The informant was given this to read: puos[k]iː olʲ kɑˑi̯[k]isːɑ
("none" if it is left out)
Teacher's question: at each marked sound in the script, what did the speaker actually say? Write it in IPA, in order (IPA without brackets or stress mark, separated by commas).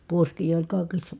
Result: k, k